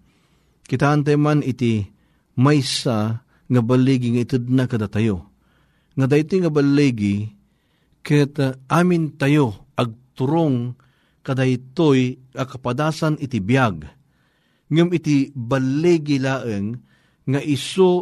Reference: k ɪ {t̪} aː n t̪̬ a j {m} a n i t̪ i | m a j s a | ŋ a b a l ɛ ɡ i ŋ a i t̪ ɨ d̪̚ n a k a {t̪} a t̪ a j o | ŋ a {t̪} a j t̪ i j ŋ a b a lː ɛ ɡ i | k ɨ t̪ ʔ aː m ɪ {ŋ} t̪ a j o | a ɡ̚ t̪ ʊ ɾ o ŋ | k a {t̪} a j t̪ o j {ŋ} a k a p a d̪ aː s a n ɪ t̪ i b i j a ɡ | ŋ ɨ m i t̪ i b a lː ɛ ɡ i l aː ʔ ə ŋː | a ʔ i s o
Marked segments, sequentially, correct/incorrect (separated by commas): correct, correct, incorrect, incorrect, incorrect, incorrect, correct